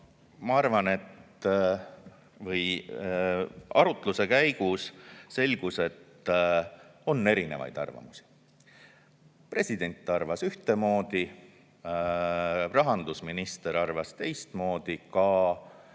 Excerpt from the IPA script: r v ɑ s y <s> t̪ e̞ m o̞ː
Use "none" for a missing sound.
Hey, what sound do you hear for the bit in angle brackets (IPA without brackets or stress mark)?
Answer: h